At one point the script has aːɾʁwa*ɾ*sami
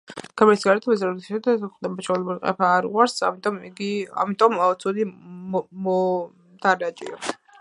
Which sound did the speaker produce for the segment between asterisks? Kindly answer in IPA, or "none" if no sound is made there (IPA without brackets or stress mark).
ɾ